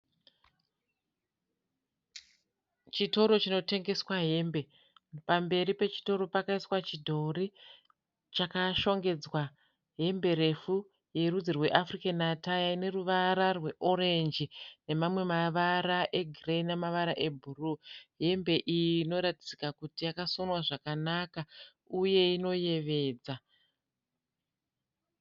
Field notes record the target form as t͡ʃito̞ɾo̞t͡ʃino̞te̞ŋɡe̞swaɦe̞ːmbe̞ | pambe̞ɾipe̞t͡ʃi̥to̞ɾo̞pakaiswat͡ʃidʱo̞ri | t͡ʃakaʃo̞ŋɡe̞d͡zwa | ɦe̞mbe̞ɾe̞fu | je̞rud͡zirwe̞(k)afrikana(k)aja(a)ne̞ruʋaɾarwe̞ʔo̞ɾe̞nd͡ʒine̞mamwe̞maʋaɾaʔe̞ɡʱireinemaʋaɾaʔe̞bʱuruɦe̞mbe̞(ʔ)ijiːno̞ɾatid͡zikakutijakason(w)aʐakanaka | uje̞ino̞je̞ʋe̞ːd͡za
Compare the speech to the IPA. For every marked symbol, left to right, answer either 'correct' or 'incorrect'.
incorrect: ʔ, incorrect: t, incorrect: i, correct, correct

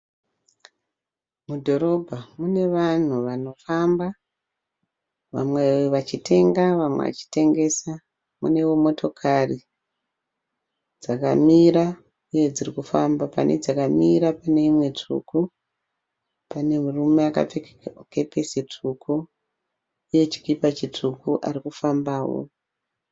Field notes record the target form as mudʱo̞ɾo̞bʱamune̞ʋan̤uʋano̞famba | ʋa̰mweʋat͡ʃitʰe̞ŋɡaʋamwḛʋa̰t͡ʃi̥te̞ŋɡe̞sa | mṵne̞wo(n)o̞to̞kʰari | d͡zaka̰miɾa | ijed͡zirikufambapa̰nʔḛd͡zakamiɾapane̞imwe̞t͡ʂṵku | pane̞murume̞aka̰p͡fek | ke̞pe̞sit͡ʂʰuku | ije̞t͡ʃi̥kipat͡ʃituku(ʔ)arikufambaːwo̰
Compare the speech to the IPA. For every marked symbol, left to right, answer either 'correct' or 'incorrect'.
incorrect: m, correct

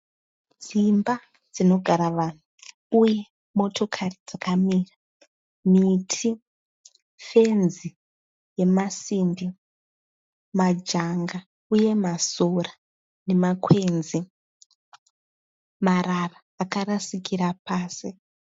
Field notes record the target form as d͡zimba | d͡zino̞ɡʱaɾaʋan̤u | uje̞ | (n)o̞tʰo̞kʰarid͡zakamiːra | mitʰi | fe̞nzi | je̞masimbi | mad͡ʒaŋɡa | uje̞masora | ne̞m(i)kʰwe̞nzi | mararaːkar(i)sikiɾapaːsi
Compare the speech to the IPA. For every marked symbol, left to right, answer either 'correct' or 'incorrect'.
incorrect: m, incorrect: a, incorrect: a

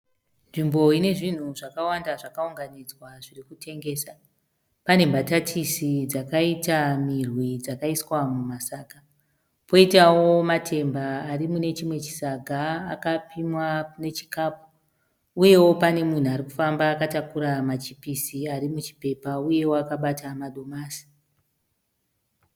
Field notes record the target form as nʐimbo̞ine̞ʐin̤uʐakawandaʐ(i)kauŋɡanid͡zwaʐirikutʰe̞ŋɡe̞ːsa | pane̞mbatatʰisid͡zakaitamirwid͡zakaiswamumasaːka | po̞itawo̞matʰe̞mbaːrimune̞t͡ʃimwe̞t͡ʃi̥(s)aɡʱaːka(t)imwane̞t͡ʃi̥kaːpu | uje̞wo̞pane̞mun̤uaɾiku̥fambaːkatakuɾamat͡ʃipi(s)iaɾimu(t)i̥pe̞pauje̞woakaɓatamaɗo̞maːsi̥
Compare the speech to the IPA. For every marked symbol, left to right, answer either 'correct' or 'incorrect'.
incorrect: a, correct, incorrect: p, correct, incorrect: t͡ʃ

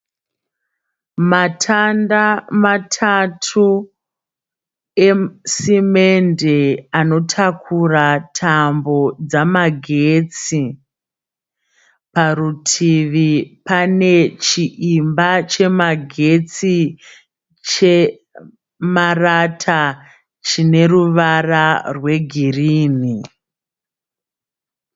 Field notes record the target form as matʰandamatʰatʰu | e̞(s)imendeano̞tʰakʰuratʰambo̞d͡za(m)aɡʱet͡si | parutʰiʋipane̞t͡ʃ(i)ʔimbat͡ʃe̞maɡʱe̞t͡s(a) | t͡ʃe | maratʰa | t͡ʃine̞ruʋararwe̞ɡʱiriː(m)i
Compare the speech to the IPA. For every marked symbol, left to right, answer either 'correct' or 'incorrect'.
correct, correct, correct, incorrect: i, incorrect: n

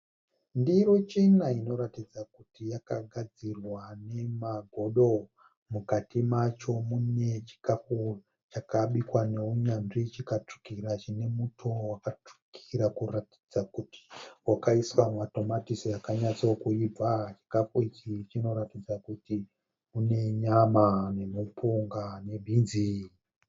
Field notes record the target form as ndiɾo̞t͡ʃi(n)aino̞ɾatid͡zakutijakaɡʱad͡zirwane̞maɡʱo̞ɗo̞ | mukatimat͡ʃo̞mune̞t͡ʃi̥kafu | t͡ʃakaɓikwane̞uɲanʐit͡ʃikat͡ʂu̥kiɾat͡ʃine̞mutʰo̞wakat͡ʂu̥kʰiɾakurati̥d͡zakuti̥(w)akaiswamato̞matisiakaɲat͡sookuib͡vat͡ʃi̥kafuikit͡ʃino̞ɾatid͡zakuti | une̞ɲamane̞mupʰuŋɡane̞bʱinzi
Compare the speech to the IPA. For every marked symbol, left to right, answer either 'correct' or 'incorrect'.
correct, correct

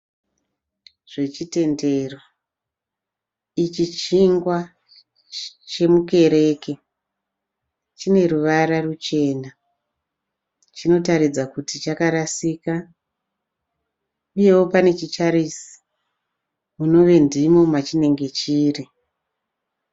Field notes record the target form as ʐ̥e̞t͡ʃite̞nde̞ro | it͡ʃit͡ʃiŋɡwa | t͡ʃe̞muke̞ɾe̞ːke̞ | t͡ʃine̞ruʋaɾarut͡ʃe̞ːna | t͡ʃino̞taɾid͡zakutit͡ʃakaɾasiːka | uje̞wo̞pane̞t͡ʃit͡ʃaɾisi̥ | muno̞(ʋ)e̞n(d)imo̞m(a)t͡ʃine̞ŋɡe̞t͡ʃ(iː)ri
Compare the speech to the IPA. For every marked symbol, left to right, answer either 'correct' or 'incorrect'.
correct, correct, correct, correct

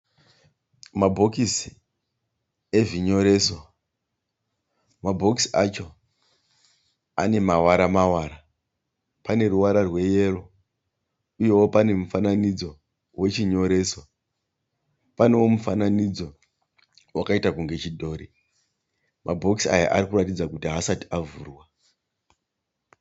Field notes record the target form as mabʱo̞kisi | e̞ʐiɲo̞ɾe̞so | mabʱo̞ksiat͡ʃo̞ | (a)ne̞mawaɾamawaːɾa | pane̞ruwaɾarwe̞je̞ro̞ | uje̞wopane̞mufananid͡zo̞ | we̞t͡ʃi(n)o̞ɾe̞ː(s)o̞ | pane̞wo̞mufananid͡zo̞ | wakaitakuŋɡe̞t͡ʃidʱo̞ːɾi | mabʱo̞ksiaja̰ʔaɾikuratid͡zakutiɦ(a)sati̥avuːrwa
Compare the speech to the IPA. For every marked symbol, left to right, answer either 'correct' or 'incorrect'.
correct, incorrect: ɲ, correct, correct

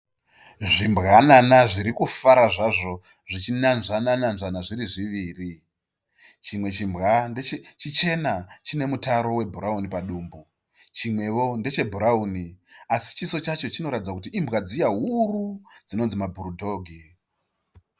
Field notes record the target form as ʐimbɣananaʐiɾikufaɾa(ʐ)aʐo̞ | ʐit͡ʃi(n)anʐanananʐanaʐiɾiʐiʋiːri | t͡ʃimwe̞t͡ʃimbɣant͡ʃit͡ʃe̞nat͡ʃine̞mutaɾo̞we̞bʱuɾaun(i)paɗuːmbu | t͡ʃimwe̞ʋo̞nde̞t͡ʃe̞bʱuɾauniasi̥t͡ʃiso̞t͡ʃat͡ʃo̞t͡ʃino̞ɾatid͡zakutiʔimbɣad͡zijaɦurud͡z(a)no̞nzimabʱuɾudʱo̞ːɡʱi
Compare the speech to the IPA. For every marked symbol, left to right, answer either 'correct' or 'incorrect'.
correct, correct, correct, incorrect: i

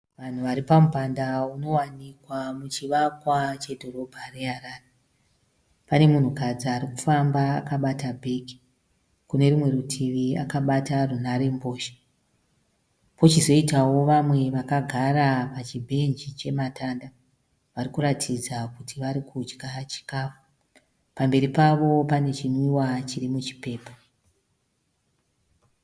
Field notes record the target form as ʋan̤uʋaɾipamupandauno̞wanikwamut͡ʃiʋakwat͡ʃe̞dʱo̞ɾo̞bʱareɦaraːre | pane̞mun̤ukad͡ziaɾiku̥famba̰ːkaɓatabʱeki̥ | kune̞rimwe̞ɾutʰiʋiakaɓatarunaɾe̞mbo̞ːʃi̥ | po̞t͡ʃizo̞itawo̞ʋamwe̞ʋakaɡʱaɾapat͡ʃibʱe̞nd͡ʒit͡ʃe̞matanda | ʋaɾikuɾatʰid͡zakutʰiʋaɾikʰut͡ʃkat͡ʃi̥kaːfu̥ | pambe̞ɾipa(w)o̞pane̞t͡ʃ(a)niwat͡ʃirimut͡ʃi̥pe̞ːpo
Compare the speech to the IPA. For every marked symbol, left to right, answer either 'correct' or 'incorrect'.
incorrect: ʋ, incorrect: i

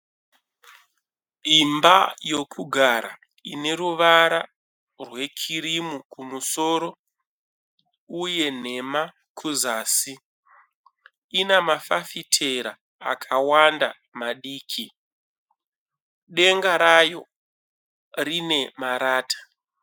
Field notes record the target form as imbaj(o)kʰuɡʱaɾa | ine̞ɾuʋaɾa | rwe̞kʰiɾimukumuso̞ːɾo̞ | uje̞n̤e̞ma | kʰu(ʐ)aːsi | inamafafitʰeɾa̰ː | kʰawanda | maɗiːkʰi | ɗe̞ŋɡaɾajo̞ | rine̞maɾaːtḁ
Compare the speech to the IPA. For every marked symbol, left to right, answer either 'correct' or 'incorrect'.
correct, incorrect: z

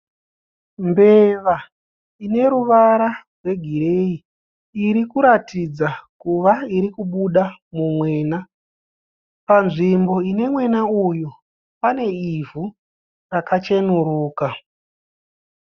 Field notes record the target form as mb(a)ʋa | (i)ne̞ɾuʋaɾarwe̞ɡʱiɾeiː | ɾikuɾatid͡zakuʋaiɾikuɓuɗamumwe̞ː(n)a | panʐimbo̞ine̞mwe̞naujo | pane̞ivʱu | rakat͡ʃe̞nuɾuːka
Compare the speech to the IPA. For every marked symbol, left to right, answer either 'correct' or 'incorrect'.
incorrect: e, correct, correct

